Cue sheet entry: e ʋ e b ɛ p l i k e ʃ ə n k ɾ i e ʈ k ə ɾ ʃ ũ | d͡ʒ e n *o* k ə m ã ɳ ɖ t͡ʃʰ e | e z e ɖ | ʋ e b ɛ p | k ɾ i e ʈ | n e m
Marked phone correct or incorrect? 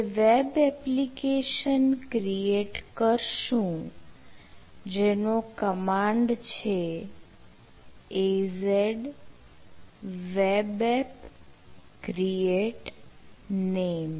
correct